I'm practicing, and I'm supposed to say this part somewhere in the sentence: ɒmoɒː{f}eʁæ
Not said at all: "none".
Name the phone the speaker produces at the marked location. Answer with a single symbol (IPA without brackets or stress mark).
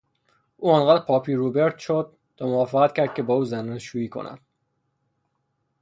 f